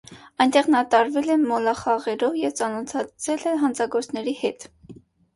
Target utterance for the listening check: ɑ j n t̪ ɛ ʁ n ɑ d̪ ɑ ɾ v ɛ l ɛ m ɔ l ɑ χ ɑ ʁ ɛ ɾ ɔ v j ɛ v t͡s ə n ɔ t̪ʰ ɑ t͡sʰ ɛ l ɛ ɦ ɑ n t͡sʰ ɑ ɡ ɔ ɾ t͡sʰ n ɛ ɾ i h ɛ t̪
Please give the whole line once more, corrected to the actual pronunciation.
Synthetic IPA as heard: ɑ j n t̪ ɛ ʁ n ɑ t̪ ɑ ɾ v ɛ l ɛ m ɔ l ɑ χ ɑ ʁ ɛ ɾ ɔ v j ɛ v t͡s ɑ n ɔ t̪ʰ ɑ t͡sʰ ɛ l ɛ ɦ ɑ n t͡sʰ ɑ ɡ ɔ ɾ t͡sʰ n ɛ ɾ i h ɛ t̪